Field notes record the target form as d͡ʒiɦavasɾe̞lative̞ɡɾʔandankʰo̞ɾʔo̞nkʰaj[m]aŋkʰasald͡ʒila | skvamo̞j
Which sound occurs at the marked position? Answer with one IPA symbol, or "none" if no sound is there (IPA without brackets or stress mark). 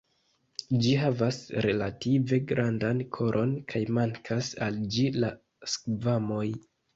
m